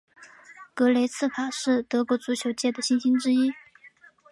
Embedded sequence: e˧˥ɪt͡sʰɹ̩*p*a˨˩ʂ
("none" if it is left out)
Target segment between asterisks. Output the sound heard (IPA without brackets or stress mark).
pʰ